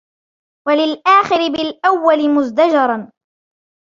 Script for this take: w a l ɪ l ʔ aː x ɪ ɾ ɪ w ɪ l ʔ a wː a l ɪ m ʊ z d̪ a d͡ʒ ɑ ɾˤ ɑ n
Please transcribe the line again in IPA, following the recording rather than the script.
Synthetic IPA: w a l ɪ l ʔ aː x ɪ ɾ ɪ b ɪ l ʔ a wː a l ɪ m ʊ z d̪ a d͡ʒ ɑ ɾˤ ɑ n